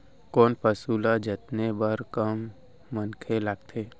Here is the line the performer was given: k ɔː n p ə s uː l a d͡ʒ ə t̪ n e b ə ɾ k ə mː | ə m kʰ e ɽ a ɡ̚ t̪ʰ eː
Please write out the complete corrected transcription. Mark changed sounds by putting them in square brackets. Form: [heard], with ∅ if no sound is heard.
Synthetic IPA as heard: k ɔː n p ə s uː l a d͡ʒ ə t̪ n e b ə ɾ k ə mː | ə [n] kʰ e [l] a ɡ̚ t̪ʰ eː